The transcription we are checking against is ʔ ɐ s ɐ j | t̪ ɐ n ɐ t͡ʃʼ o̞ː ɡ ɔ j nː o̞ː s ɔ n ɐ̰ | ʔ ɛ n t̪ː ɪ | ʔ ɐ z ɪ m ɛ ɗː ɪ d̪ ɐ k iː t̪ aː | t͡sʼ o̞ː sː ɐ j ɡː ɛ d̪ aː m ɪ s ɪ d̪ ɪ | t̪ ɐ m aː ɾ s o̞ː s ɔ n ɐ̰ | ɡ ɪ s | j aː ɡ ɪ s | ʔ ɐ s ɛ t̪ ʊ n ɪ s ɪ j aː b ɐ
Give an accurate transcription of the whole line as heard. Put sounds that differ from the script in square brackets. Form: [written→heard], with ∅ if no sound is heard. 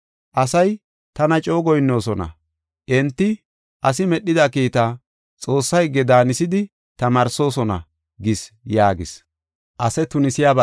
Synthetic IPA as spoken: ʔ ɐ s ɐ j | t̪ ɐ n ɐ t͡ʃʼ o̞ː ɡ ɔ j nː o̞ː s ɔ n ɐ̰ | ʔ ɛ n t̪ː ɪ | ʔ ɐ [z→s] ɪ m ɛ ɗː ɪ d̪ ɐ k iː t̪ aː | t͡sʼ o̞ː sː ɐ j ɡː ɛ d̪ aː [m→n] ɪ s ɪ d̪ ɪ | t̪ ɐ m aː ɾ s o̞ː s ɔ n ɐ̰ | ɡ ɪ s | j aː ɡ ɪ s | ʔ ɐ s ɛ t̪ ʊ n ɪ s ɪ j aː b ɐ